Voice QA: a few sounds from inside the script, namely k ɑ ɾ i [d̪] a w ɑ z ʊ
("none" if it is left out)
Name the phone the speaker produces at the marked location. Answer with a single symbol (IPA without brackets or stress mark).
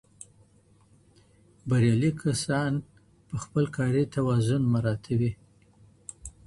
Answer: t̪